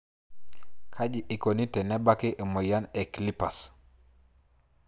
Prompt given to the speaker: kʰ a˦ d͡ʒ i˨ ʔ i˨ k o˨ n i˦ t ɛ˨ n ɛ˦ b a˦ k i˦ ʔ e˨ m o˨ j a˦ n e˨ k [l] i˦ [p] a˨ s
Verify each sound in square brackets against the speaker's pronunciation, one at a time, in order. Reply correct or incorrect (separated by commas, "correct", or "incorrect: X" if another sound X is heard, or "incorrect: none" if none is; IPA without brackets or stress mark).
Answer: correct, correct